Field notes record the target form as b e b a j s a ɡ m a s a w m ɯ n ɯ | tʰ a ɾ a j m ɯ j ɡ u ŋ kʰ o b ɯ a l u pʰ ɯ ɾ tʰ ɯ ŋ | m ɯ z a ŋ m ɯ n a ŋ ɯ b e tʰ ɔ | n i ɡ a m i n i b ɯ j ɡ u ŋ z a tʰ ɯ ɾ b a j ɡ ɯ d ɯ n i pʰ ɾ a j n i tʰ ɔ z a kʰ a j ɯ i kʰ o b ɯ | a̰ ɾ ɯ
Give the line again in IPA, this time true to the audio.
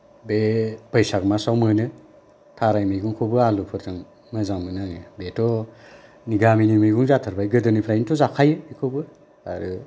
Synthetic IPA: b e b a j s a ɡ m a s a w m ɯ n ɯ | tʰ a ɾ a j m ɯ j ɡ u ŋ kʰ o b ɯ a l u pʰ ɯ ɾ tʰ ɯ ŋ | m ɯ z a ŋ m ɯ n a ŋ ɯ b e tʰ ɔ | n i ɡ a m i n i m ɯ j ɡ u ŋ z a tʰ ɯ ɾ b a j ɡ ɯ d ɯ n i pʰ ɾ a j n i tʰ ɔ z a kʰ a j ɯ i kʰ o b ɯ | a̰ ɾ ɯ